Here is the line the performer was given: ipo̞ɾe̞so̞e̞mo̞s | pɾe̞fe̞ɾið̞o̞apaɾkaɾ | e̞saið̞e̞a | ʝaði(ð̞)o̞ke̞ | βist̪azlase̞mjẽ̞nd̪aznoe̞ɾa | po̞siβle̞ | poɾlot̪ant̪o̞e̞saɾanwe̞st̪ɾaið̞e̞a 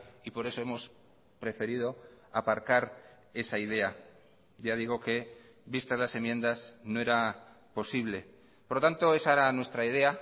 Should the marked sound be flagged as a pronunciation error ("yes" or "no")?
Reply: yes